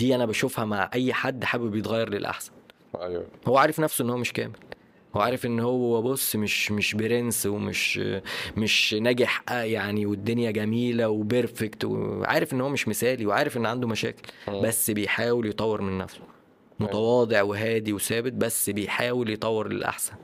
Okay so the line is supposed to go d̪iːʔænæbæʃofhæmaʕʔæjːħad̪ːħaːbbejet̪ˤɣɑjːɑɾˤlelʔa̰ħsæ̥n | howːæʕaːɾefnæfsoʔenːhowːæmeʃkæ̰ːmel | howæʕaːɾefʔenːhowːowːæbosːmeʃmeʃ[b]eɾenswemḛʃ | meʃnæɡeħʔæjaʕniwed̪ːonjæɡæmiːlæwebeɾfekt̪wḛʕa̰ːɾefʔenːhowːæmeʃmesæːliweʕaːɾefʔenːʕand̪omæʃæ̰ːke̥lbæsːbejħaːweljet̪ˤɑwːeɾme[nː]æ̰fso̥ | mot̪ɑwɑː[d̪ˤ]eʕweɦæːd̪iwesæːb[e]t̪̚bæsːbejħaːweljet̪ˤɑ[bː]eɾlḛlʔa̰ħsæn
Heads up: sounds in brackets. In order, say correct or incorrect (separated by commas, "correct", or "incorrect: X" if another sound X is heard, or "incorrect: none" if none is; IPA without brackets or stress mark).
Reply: correct, correct, correct, correct, incorrect: wː